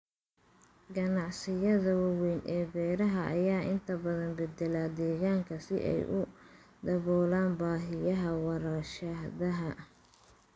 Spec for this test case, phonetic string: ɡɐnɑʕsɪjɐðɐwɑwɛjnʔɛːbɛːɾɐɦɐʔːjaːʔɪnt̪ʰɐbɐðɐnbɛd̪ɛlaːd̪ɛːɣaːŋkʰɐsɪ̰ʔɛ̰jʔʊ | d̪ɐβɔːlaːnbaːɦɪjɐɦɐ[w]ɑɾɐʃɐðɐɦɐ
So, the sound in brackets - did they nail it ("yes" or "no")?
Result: yes